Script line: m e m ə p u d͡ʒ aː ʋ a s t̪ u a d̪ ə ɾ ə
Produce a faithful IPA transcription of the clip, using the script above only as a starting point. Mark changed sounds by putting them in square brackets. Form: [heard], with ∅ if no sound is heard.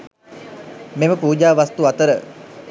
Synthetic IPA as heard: m e m ə p [uː] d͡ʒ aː ʋ a s t̪ u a [t̪] ə ɾ ə